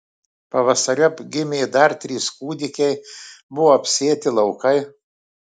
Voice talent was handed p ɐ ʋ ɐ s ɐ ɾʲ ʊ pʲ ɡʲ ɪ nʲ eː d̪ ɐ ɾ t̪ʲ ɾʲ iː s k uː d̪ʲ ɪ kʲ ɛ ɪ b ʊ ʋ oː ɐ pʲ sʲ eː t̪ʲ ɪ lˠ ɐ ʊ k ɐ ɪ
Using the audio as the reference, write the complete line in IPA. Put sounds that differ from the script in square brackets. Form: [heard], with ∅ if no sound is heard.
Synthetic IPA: p ɐ ʋ ɐ s ɐ ɾʲ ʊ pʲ ɡʲ ɪ [mʲ] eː d̪ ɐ ɾ t̪ʲ ɾʲ iː s k uː d̪ʲ ɪ kʲ ɛ ɪ b ʊ ʋ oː ɐ pʲ sʲ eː t̪ʲ ɪ lˠ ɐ ʊ k ɐ ɪ